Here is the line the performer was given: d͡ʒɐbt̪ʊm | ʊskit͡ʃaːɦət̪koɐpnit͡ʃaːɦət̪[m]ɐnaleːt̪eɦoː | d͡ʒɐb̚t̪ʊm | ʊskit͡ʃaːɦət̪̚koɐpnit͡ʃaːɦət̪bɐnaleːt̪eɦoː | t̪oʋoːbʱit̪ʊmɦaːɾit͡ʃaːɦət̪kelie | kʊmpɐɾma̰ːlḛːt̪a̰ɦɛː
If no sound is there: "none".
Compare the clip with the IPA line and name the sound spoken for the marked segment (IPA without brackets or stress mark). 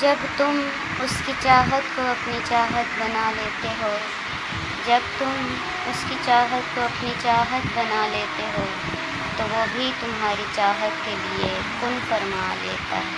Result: b